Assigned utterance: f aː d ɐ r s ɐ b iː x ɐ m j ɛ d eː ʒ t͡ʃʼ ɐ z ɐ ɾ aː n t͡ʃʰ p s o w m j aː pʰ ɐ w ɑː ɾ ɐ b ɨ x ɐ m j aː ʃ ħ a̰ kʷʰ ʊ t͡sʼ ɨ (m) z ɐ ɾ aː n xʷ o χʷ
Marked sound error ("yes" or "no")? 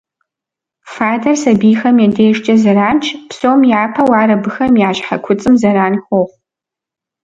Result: no